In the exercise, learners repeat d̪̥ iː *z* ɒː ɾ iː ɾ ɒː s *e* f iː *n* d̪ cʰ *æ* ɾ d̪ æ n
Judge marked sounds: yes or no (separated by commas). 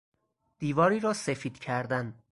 no, yes, no, yes